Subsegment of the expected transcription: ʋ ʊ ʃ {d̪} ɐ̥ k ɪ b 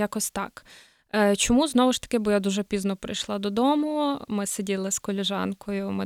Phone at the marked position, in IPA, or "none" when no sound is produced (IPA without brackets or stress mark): t̪